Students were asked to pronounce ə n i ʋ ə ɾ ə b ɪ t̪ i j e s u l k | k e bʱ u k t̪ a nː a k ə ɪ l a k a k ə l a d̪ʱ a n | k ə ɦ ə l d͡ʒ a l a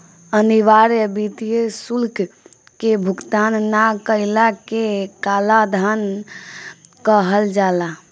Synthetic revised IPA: ə n i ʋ a ɾ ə b i t̪ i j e s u l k | k e bʱ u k t̪ a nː a k ə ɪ l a k e k a l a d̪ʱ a n | k ə ɦ ə l d͡ʒ a l a